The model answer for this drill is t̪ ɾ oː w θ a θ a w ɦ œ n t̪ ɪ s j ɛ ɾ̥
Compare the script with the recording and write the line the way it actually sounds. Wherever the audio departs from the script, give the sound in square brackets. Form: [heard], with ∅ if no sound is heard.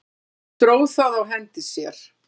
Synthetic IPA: t̪ ɾ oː w θ a [ð] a w ɦ [ɛ] n t̪ ɪ s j ɛ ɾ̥